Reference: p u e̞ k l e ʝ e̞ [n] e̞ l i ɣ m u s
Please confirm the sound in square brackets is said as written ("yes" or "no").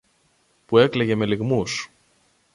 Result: no